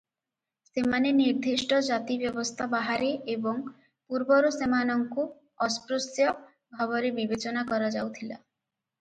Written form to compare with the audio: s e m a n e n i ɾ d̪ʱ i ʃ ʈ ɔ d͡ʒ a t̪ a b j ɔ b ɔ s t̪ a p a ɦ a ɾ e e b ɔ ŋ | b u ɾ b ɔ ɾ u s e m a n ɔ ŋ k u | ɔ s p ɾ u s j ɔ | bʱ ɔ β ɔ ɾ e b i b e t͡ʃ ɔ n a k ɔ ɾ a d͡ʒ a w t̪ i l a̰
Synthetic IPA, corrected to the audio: s e m a n e n i ɾ d̪ʱ i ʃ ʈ ɔ d͡ʒ a t̪ i b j ɔ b ɔ s t̪ʰ a b a ɦ a ɾ e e b ɔ ŋ | p u ɾ b ɔ ɾ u s e m a n ɔ ŋ k u | ɔ s p ɾ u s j ɔ | bʱ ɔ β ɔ ɾ e b i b e t͡ʃ ɔ n a k ɔ ɾ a d͡ʒ a w t̪ʰ i l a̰